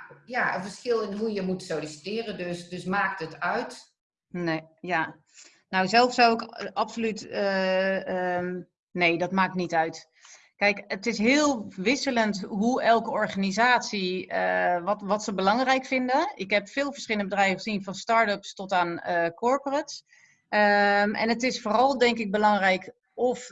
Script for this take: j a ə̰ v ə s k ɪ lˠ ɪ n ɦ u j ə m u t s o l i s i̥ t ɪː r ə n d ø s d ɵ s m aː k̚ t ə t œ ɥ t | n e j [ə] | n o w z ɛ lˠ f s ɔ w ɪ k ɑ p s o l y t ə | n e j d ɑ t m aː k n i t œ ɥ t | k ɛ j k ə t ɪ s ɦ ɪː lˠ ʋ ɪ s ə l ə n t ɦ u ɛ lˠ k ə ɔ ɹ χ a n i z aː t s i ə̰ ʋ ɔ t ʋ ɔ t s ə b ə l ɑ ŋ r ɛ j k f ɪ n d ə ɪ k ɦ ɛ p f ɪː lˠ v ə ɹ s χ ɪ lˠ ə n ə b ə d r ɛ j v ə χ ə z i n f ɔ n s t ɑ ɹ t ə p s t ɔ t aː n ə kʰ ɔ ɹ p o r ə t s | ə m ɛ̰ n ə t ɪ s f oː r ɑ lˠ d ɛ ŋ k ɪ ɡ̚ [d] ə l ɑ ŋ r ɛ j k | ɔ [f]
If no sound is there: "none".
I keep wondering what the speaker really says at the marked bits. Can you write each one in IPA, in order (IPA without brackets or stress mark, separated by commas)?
a, b, f